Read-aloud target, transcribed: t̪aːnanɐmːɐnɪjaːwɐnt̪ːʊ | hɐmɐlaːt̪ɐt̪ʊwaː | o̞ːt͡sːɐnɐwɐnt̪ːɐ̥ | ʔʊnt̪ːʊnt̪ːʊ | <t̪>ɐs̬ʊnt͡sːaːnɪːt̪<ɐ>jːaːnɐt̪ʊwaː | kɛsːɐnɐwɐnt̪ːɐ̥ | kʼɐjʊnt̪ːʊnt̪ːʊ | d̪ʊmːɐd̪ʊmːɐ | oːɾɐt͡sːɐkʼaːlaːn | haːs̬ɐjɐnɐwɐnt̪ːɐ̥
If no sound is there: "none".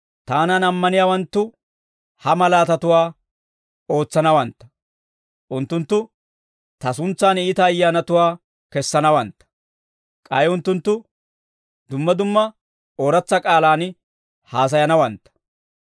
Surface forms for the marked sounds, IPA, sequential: t̪, ɐː

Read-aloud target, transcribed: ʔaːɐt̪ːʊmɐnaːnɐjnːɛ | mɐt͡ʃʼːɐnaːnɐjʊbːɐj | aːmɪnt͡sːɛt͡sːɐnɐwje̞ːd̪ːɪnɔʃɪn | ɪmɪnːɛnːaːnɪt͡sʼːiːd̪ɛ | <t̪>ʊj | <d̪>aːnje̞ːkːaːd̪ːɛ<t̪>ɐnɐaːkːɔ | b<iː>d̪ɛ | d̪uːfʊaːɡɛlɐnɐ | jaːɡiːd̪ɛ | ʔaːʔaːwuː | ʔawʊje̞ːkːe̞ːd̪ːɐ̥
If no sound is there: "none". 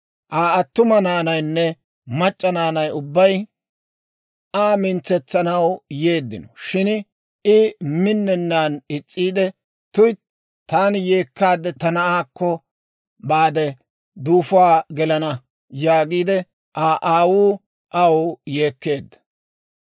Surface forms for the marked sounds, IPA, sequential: t̪, t̪, t̪, aː

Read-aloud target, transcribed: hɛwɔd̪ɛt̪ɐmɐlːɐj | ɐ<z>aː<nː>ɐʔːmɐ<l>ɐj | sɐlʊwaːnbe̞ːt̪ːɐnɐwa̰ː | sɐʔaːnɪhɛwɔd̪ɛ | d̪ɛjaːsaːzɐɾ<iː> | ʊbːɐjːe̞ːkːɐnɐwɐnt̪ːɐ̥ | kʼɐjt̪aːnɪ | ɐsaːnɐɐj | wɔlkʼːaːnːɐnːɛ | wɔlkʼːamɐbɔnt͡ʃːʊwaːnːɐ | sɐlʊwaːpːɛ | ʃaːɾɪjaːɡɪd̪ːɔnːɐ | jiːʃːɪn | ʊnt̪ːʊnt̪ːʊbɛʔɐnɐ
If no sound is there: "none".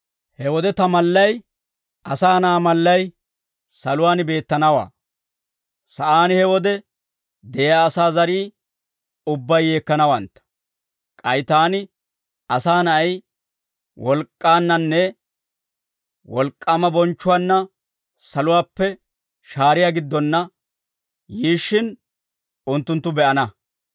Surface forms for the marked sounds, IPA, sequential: s, n, lː, iː

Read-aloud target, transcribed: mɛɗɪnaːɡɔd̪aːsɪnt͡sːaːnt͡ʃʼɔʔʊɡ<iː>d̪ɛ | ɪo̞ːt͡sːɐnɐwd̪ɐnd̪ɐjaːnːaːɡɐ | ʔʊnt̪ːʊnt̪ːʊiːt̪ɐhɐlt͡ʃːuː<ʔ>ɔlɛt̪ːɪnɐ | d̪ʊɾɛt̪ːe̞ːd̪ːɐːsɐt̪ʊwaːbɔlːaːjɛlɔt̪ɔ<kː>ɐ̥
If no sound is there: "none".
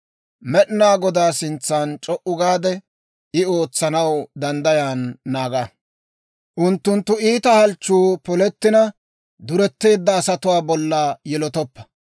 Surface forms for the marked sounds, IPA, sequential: aː, p, pː

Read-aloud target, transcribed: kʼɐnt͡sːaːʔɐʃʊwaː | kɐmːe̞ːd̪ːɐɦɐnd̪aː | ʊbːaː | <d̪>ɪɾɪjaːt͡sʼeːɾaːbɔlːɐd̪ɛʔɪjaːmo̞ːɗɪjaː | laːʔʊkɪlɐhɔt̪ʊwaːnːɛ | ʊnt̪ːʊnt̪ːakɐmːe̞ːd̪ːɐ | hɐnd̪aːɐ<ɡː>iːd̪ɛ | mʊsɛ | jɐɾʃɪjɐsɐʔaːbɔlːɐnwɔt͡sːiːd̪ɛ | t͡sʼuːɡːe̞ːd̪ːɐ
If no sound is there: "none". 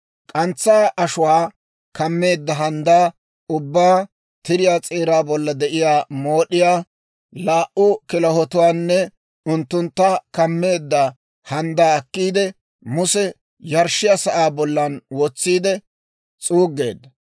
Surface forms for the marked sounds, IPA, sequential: t̪, kː

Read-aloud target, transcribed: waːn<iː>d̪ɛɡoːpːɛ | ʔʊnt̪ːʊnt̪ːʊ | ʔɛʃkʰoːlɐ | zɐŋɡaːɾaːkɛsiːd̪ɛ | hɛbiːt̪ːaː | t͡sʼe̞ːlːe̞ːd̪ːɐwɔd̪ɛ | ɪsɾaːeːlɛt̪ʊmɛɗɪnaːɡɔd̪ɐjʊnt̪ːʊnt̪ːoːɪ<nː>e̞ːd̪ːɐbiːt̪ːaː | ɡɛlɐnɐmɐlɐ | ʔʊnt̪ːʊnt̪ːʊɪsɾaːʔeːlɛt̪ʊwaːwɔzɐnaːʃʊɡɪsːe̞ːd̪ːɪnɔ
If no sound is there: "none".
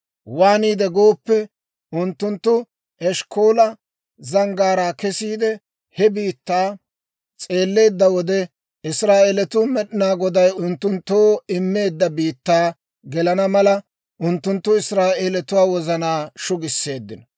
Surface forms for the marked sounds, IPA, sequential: iː, mː

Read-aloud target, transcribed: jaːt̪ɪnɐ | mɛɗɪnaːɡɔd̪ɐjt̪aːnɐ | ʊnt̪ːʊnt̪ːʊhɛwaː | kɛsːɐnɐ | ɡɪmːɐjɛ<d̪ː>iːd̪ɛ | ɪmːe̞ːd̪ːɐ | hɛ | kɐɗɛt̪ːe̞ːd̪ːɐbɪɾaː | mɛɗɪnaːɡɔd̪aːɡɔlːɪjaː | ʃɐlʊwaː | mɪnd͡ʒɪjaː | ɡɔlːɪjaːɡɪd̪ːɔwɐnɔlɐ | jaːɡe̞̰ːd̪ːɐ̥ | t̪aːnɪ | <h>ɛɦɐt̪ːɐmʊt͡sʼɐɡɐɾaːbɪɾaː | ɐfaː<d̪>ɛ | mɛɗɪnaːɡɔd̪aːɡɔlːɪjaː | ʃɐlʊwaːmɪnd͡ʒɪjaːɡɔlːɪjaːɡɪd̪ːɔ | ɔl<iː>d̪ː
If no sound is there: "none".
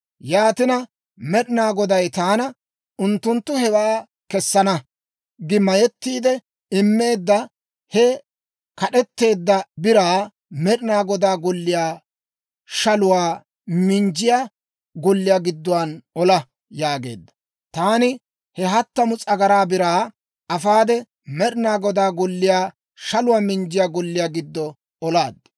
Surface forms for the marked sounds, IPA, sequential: t̪ː, h, d̪, aː

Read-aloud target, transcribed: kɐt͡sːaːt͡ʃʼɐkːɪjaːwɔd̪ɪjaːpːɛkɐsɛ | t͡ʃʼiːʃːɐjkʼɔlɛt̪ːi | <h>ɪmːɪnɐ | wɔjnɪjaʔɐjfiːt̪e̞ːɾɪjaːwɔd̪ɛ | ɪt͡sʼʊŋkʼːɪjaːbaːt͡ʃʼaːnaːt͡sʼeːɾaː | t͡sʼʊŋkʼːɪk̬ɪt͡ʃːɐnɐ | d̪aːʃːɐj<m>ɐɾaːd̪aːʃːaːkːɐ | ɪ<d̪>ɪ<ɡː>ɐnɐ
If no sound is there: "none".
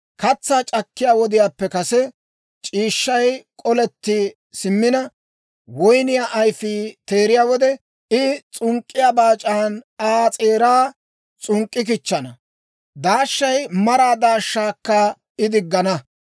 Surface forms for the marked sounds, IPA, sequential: s, m, d̪, ɡː

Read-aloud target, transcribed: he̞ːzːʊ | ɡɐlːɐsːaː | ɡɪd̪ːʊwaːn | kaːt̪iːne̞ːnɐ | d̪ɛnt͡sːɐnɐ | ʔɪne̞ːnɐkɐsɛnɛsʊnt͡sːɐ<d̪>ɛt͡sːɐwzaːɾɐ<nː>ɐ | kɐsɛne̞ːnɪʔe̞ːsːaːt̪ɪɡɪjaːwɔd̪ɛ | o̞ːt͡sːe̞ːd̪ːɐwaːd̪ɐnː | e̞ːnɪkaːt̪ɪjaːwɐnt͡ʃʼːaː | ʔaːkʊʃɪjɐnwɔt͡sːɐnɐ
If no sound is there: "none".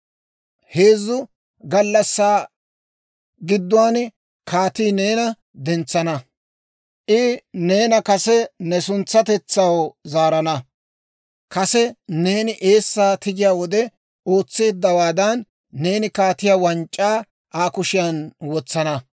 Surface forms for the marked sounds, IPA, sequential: t̪, n

